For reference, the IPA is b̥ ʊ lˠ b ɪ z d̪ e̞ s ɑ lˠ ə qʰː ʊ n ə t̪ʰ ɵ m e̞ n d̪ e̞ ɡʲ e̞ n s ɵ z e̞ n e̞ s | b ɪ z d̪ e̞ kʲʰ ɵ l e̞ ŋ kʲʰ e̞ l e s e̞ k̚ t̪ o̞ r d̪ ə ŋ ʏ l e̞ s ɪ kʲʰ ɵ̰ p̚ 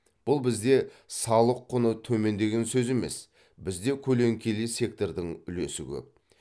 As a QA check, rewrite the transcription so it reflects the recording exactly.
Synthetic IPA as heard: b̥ ʊ lˠ b ɪ z d̪ e̞ s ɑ lˠ ə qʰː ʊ n ə t̪ʰ ɵ m e̞ n d̪ e̞ ɡʲ e̞ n s ɵ z e̞ m e̞ s | b ɪ z d̪ e̞ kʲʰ ɵ l e̞ ŋ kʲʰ e̞ l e s e̞ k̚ t̪ o̞ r d̪ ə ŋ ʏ l e̞ s ɪ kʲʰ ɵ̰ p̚